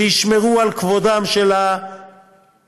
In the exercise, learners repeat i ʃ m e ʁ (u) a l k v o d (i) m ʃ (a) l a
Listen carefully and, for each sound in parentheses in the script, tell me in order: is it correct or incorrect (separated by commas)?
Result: correct, incorrect, incorrect